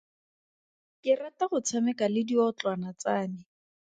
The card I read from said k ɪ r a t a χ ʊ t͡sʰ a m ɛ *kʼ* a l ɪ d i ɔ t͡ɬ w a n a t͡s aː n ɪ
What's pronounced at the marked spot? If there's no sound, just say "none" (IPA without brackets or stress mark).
k